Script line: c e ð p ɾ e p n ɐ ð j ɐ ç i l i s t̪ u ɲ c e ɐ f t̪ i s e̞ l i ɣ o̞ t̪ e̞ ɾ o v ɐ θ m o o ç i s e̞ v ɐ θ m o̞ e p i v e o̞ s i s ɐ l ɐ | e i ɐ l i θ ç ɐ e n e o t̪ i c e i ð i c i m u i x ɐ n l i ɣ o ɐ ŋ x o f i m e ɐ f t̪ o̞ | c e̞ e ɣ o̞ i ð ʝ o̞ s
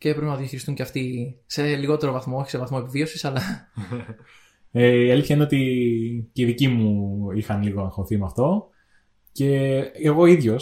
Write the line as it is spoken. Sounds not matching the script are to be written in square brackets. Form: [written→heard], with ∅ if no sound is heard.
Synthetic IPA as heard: c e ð p ɾ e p n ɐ ð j ɐ ç i [l→ɾ] i s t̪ u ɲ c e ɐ f t̪ i s e̞ l i ɣ o̞ t̪ e̞ ɾ o v ɐ θ m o o ç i s e̞ v ɐ θ m o̞ e p i v [e→i] o̞ s i s ɐ l ɐ | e i ɐ l i θ ç ɐ [e→i] n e o t̪ i c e i ð i c i m u i x ɐ n l i ɣ o ɐ ŋ x o [f→θ] i m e ɐ f t̪ o̞ | c e̞ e ɣ o̞ i ð ʝ o̞ s